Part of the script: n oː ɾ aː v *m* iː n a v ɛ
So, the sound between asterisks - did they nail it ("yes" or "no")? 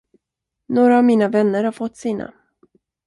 yes